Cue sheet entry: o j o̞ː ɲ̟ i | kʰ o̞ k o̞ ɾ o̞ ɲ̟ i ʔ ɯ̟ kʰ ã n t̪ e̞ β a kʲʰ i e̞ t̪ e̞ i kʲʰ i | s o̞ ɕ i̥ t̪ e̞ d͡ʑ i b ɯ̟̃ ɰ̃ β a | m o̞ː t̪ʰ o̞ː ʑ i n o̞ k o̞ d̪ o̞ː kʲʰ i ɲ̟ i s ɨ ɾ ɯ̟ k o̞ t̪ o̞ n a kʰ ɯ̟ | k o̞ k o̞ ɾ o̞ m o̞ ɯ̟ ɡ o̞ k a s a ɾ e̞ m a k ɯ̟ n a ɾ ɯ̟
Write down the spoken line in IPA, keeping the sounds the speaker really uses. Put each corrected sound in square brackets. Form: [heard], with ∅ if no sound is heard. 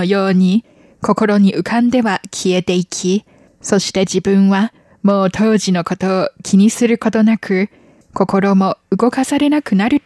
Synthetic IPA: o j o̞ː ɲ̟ i | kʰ o̞ k o̞ ɾ o̞ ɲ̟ i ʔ ɯ̟ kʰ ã n [d̪] e̞ β a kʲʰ i e̞ t̪ e̞ i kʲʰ i | s o̞ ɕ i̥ t̪ e̞ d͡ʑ i b ɯ̟̃ ɰ̃ β a | m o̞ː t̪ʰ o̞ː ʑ i n o̞ k o̞ [t̪] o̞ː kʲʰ i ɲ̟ i s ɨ ɾ ɯ̟ k o̞ t̪ o̞ n a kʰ ɯ̟ | k o̞ k o̞ ɾ o̞ m o̞ ɯ̟ ɡ o̞ k a s a ɾ e̞ [n] a k ɯ̟ n a ɾ ɯ̟